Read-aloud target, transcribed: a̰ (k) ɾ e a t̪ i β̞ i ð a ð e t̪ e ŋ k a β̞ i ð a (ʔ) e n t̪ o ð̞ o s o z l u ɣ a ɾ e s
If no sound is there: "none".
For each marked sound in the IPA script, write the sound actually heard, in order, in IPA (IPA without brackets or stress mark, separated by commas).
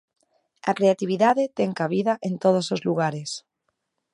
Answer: k, ʔ